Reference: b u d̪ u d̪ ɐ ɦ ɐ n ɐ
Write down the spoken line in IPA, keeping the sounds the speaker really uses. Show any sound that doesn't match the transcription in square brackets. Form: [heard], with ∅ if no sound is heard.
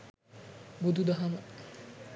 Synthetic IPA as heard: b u d̪ u d̪ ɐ ɦ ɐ [m] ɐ